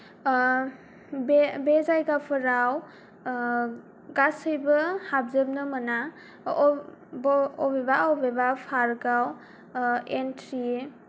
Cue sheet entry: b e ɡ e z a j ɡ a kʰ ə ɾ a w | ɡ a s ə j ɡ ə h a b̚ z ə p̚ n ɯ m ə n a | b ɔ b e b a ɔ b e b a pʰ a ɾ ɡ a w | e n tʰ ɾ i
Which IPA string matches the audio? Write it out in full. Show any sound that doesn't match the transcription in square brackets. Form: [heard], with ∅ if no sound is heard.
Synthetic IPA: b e [b] e z a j ɡ a [pʰ] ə ɾ a w | ɡ a s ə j [b] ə h a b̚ z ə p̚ n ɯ m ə n a | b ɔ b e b a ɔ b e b a pʰ a ɾ ɡ a w | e n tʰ ɾ i